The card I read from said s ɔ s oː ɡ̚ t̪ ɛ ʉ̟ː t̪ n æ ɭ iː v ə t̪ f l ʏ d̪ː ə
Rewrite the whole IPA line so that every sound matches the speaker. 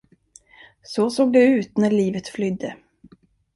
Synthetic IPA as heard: s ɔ s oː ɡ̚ d̪ ɛ ʉ̟ː t̪ n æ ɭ iː v ə t̪ f l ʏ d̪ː ə